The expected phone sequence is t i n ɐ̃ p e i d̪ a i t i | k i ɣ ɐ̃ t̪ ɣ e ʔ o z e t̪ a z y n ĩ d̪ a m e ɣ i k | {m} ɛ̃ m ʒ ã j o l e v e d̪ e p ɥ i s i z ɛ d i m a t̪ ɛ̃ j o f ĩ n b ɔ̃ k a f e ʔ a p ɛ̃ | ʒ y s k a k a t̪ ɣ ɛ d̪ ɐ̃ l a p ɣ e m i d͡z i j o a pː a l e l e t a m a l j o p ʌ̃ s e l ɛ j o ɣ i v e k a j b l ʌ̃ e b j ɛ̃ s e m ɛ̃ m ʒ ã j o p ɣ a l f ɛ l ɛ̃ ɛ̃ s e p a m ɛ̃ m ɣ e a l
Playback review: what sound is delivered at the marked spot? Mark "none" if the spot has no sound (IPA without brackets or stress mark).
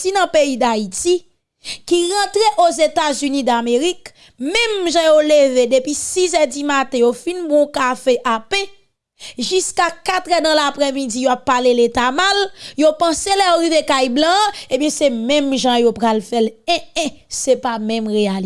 m